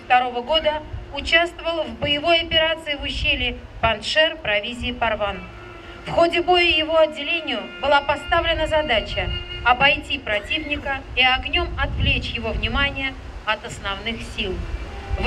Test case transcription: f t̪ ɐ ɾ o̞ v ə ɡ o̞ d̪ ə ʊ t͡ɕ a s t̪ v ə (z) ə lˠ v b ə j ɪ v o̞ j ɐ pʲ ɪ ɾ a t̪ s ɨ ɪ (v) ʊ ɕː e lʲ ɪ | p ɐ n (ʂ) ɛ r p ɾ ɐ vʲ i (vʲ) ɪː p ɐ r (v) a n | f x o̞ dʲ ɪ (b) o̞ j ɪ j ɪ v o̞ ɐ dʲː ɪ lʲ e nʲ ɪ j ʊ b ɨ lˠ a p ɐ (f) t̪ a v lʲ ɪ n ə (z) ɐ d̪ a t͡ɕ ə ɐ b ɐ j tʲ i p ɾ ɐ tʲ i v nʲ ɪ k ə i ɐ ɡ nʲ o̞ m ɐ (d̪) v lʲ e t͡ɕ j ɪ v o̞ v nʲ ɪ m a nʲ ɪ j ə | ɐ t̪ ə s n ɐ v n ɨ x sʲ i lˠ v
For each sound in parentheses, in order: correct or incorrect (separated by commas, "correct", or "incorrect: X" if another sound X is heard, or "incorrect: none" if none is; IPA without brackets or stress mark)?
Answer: incorrect: v, correct, correct, incorrect: zʲ, correct, correct, incorrect: s, correct, incorrect: t̪